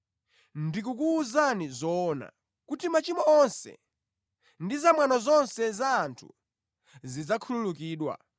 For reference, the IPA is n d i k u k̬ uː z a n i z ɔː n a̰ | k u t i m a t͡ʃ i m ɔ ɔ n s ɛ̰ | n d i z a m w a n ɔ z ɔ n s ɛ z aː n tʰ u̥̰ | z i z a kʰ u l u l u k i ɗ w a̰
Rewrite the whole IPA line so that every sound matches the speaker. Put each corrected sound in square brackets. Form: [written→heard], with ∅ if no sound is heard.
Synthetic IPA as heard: n d i k u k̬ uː z a n i z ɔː n a̰ | k u t i m a t͡ʃ i m ɔ ɔ n s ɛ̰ | n d i z a m w a n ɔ z ɔ n s ɛ z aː n tʰ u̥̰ | z i [z→d͡z] a kʰ u l u l u k [i→iː] ɗ w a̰